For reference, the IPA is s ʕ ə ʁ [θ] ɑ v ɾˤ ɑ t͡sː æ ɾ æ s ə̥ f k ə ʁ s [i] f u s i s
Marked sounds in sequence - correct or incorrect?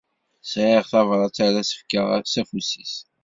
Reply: correct, incorrect: æ

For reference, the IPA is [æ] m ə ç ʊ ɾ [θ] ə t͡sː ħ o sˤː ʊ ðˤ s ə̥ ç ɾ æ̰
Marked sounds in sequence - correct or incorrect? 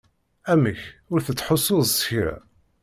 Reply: correct, correct

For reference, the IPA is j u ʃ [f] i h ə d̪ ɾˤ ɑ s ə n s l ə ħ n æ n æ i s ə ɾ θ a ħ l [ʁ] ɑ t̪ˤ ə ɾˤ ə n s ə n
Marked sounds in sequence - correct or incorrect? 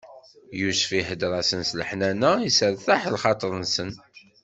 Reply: correct, incorrect: χ

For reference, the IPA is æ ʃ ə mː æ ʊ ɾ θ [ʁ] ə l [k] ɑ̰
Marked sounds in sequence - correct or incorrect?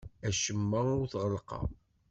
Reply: correct, incorrect: q

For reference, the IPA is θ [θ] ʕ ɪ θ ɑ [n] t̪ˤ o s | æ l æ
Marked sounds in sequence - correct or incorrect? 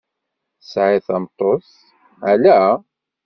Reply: incorrect: s, incorrect: m

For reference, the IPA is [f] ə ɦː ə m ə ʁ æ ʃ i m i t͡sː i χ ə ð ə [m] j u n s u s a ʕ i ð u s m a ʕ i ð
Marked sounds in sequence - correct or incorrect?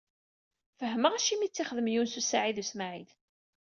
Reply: correct, correct

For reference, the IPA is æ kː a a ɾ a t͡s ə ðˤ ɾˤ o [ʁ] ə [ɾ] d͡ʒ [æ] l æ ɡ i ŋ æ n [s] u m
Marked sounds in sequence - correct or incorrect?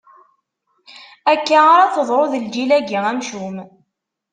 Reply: incorrect: ð, incorrect: l, incorrect: i, incorrect: ʃ

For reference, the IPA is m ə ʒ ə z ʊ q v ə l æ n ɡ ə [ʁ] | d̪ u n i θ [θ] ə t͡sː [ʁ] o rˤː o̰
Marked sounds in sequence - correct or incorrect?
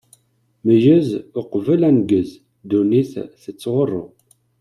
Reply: incorrect: z, correct, correct

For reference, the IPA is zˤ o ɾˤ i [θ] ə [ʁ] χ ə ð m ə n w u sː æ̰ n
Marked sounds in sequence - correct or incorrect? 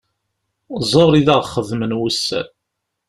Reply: incorrect: ð, correct

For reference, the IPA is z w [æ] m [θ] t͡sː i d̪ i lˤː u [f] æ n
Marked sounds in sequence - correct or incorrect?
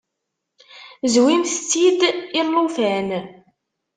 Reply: incorrect: i, correct, correct

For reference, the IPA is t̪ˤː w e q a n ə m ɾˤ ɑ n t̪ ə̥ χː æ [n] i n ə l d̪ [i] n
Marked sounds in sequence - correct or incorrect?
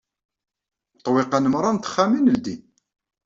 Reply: incorrect: m, correct

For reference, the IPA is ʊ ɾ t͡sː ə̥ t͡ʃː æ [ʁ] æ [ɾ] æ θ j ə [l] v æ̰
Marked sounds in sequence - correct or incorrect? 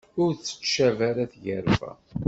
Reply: incorrect: v, correct, incorrect: ɾ

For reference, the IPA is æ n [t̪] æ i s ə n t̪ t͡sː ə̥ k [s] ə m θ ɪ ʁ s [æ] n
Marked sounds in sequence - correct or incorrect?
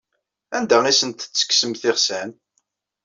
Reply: incorrect: d̪, correct, correct

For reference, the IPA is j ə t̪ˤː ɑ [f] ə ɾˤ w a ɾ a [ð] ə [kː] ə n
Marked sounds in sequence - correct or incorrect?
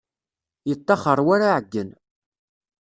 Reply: incorrect: χ, incorrect: ʕ, incorrect: ɡː

